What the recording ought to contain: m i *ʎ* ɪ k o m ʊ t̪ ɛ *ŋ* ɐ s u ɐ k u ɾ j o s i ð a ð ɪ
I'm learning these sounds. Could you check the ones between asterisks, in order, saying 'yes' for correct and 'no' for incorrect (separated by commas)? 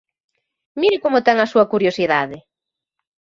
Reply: no, yes